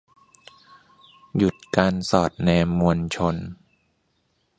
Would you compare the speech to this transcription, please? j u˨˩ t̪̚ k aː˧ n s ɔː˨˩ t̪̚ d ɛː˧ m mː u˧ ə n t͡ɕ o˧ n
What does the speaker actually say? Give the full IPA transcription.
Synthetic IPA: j u˨˩ t̪̚ k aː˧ n s ɔː˨˩ t̪̚ n ɛː˧ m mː u˧ ə n t͡ɕʰ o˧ n